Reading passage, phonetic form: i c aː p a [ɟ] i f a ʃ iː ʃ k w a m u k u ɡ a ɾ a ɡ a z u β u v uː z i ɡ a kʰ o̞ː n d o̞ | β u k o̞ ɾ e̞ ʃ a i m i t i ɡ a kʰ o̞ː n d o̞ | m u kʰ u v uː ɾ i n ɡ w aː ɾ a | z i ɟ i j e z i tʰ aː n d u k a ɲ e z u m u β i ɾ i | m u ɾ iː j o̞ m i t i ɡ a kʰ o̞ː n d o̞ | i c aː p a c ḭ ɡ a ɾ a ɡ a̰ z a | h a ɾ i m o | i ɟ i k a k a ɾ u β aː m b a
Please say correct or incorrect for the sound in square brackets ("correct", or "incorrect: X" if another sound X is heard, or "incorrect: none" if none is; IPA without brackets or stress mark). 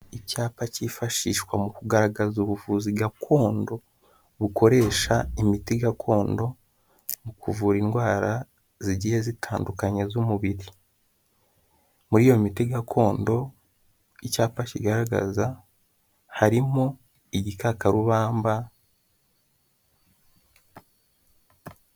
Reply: incorrect: c